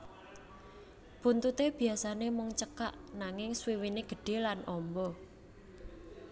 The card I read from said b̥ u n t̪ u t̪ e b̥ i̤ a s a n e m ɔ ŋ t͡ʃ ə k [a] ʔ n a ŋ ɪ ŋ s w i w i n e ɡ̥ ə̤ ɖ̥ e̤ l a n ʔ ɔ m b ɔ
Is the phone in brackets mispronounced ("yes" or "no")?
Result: no